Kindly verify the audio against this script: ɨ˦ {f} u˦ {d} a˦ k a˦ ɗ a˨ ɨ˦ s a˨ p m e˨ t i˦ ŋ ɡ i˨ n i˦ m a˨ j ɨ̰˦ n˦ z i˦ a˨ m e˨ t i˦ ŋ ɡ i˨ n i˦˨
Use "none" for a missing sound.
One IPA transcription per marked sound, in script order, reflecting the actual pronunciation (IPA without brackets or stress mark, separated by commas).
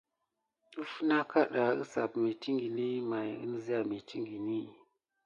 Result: f, n